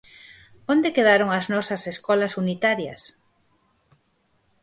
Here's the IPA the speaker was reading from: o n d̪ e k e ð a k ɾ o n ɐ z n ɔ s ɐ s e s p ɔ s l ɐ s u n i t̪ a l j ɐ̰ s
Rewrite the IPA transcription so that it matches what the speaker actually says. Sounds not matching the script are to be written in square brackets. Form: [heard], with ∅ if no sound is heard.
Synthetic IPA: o n d̪ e k e ð a [∅] ɾ o [ŋ] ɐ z n ɔ s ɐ s e s [k] ɔ [∅] l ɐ s u n i t̪ a [ɾ] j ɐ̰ s

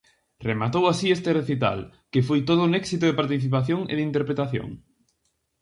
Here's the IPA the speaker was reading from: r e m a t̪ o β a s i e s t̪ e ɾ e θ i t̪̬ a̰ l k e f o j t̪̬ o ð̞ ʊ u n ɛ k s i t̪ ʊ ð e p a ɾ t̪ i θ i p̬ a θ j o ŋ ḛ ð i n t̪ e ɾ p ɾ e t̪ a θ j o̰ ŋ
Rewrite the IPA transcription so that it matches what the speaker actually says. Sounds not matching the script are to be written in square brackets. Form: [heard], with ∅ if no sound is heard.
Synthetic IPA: r e m a t̪ o [w] a s i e s t̪ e [r] e θ i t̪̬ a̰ l k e f o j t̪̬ o ð̞ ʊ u n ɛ k s i t̪ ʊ ð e p a ɾ t̪ i θ i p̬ a θ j o ŋ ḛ ð i n t̪ e ɾ p ɾ e t̪ a θ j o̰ ŋ

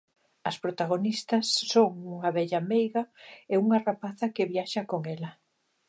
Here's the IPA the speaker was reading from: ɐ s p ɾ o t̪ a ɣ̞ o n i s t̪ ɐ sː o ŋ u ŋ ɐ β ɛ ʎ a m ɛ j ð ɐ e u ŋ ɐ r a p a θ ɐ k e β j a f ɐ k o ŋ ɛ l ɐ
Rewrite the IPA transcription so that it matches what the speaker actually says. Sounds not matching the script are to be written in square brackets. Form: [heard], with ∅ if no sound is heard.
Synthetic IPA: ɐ s p ɾ o t̪ a ɣ̞ o n i s t̪ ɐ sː o ŋ u ŋ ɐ β ɛ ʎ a m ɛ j [ɣ] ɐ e u ŋ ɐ r a p a θ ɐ k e β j a [ʃ] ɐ k o ŋ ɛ l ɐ

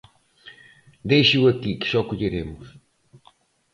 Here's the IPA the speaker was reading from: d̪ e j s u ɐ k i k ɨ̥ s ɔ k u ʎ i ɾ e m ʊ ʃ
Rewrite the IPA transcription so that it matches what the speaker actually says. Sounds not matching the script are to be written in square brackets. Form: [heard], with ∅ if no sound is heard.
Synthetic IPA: d̪ e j [ʃ] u ɐ k i k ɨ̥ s ɔ k u ʎ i ɾ e m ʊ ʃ

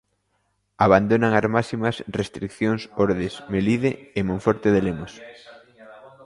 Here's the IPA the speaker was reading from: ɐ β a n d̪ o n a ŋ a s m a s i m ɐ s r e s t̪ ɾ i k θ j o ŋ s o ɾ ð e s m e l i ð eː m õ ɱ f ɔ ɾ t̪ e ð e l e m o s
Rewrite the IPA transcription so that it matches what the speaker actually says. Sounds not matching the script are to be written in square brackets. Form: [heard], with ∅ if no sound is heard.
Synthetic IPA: [a] β a n d̪ o n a ŋ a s m a s i m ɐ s r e s t̪ ɾ i k θ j o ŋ s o ɾ ð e s m e l i ð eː m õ ɱ f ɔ ɾ t̪ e ð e l e m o s

